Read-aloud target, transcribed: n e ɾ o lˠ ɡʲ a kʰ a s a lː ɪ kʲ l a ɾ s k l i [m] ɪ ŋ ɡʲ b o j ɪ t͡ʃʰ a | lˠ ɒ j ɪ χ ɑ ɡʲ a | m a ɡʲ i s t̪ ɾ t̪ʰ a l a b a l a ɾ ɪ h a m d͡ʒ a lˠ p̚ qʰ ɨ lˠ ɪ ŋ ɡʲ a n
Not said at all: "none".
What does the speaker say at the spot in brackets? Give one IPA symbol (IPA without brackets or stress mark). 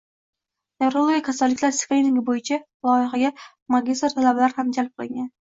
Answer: n